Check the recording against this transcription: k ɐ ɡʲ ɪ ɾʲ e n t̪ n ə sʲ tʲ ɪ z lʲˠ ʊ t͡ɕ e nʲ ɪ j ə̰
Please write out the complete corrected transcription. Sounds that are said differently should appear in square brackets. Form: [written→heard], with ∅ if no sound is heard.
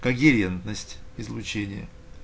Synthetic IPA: k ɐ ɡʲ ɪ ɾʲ e n t̪ n ə sʲ tʲ ɪ z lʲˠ ʊ t͡ɕ e nʲ ɪ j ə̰